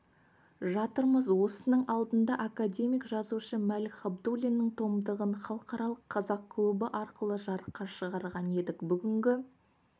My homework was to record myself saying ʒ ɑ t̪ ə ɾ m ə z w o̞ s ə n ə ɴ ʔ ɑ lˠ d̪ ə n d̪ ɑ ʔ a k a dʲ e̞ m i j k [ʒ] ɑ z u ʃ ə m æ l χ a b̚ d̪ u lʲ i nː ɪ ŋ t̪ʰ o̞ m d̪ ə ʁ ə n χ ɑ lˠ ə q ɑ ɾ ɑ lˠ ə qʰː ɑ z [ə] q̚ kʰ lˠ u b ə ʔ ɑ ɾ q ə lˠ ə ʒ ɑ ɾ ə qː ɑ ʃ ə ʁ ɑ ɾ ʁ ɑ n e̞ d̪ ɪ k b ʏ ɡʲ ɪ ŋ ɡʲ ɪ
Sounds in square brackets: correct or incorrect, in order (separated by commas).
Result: correct, incorrect